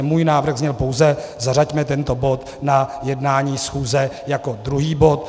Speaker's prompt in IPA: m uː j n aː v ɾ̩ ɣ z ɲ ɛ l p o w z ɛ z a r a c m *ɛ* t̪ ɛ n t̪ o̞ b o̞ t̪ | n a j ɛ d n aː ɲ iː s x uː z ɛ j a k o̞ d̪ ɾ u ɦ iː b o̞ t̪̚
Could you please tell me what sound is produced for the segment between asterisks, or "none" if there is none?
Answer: ɛ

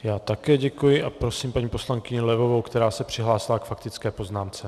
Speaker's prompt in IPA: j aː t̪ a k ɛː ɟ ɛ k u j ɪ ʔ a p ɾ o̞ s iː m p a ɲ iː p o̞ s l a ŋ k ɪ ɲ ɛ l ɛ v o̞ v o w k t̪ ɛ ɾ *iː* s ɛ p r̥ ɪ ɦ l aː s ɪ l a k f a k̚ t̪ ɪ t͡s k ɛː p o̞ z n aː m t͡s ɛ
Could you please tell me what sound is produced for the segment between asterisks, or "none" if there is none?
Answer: aː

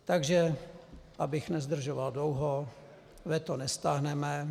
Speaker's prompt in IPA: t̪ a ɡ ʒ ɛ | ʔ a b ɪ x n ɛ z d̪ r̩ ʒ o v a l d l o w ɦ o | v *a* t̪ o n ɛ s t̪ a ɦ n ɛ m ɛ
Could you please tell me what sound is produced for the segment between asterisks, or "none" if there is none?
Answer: ɛ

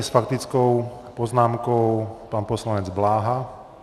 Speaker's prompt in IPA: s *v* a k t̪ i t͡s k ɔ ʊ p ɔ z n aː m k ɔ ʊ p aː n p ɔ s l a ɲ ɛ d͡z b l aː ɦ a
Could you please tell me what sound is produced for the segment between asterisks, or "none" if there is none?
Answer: f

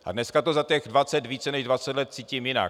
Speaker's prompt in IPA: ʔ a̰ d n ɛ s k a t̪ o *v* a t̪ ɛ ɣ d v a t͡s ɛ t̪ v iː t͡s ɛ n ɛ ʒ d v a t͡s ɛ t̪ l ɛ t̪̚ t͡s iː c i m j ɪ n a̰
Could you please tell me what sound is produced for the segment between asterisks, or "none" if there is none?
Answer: z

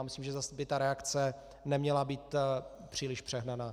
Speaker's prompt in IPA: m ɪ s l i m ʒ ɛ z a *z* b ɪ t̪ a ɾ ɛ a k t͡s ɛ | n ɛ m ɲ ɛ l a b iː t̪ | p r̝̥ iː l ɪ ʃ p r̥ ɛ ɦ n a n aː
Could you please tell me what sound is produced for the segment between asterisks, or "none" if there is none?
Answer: s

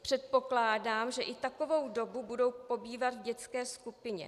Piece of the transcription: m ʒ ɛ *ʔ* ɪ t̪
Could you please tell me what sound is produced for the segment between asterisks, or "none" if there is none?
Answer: ʔ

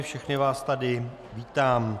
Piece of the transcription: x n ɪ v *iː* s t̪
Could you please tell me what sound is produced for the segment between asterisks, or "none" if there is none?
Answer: aː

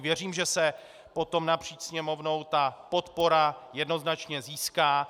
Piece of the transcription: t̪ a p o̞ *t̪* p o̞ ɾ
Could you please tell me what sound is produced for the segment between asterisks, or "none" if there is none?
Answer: t̪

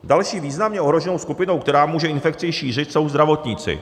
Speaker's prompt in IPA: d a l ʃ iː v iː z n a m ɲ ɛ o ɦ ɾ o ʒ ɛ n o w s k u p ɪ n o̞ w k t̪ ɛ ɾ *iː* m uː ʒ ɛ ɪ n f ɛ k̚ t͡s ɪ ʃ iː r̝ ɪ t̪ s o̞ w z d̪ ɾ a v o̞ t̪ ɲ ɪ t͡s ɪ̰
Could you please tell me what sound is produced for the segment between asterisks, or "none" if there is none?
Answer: aː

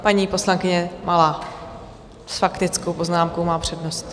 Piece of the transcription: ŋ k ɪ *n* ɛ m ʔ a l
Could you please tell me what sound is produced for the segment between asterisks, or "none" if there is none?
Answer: ɲ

